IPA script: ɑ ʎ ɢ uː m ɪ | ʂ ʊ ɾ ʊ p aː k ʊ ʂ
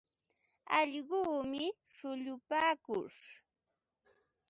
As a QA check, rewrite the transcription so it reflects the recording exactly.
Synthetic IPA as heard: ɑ ʎ ɢ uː m ɪ | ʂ ʊ ʎ ʊ p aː k ʊ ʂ